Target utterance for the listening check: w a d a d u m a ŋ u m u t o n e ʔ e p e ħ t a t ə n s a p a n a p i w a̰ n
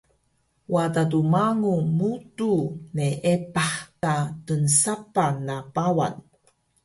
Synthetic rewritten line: w a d a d u m a ŋ u m u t u n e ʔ e p a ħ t a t ə n s a p a n a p a w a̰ n